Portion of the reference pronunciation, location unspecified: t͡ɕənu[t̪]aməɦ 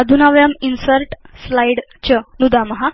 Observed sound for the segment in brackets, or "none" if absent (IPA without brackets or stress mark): d̪